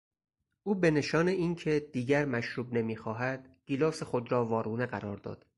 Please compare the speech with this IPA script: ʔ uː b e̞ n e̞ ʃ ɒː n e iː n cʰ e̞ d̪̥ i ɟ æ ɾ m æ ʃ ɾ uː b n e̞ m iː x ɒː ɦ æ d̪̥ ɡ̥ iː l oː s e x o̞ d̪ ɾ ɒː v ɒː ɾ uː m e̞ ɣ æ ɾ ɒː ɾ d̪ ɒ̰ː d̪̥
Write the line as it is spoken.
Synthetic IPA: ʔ uː b e̞ n e̞ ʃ ɒː n e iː n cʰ e̞ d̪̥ iː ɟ æ ɾ m æ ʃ ɾ uː b n e̞ m iː x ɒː ɦ æ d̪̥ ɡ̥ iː l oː s e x o̞ d̪ ɾ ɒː v ɒː ɾ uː n e̞ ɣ æ ɾ ɒː ɾ d̪ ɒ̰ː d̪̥